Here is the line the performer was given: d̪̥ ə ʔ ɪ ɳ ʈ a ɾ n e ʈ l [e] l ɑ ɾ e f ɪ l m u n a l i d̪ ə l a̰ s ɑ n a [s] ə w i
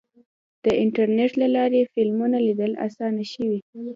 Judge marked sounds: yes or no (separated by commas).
no, no